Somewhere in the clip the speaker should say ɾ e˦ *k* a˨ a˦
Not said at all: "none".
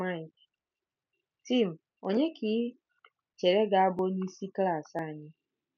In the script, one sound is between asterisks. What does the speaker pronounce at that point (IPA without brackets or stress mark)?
ɡ